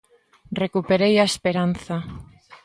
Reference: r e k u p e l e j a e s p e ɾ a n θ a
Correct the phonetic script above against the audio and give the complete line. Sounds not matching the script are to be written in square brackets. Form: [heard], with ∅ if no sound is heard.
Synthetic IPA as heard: r e k u p e [ɾ] e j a e s p e ɾ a n θ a